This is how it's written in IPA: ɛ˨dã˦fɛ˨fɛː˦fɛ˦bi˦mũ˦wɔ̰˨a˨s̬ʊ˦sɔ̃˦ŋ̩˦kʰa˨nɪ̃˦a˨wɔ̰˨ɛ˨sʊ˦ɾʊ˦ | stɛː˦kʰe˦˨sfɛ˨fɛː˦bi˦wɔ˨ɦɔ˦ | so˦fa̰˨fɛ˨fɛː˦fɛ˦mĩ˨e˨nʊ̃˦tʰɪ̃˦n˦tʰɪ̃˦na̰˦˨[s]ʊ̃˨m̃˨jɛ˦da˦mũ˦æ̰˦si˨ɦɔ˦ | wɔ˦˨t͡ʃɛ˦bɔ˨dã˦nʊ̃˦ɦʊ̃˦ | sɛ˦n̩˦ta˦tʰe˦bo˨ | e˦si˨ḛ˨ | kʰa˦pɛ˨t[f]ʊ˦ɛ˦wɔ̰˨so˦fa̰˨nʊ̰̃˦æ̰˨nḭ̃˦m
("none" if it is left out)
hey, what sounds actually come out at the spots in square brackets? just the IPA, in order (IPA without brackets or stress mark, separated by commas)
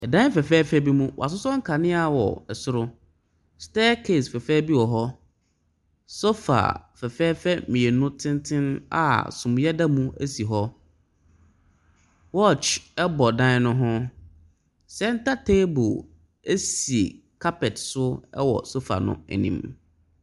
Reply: s, s